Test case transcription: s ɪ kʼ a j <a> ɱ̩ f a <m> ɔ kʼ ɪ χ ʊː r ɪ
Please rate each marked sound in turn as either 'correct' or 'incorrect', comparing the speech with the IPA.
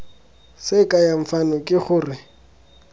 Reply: correct, incorrect

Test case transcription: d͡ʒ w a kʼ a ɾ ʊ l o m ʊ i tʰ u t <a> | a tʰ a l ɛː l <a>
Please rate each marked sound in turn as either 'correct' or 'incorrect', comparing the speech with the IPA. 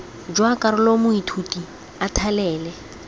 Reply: incorrect, incorrect

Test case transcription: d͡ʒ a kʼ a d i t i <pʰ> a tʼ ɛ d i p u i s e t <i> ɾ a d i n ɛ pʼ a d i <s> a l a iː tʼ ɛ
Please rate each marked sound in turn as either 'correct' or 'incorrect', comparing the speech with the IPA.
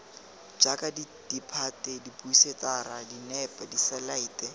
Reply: correct, incorrect, correct

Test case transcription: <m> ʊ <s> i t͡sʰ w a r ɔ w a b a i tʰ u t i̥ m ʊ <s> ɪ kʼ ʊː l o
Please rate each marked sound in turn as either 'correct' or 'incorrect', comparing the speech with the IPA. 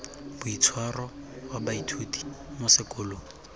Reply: incorrect, incorrect, correct

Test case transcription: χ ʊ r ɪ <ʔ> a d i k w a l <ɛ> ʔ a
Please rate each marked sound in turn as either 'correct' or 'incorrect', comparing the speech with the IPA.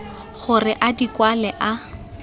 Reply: correct, correct

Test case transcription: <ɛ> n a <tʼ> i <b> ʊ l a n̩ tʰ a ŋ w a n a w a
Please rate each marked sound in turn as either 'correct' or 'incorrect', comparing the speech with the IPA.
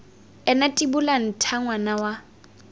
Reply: correct, correct, correct

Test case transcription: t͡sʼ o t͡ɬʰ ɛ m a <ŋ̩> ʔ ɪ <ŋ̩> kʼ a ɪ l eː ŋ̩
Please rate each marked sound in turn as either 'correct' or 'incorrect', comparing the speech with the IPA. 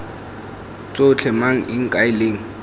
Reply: correct, correct

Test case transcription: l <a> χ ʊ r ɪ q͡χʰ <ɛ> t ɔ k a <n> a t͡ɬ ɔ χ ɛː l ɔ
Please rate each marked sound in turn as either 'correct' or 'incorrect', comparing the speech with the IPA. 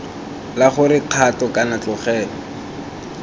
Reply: correct, incorrect, correct

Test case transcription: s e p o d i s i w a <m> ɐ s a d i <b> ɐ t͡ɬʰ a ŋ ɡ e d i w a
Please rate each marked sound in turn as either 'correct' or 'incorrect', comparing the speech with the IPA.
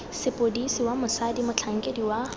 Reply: correct, incorrect

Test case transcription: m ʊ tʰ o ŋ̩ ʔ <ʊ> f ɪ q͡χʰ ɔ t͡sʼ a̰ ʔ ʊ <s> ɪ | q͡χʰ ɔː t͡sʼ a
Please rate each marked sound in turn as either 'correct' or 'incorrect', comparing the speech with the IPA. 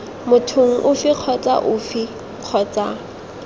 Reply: correct, incorrect

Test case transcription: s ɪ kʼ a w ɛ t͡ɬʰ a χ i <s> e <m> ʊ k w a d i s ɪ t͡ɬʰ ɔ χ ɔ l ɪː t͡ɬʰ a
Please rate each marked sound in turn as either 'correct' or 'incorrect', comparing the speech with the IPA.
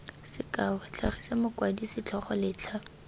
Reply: correct, correct

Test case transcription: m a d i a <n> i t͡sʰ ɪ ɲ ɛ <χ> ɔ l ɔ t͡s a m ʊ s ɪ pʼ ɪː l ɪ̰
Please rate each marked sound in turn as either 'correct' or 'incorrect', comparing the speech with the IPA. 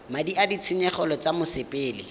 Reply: incorrect, correct

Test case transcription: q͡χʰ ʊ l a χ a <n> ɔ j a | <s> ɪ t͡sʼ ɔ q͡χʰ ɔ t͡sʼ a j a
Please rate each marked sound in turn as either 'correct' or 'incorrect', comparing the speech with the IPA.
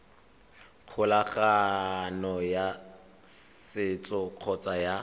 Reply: correct, correct

